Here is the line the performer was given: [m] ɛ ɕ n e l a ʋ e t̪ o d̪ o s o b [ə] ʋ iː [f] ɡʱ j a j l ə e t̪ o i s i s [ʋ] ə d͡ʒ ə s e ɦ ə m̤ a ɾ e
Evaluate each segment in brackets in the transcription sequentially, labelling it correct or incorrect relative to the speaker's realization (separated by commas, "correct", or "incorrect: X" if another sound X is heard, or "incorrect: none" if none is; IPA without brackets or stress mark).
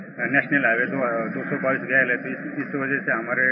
incorrect: n, incorrect: a, incorrect: s, correct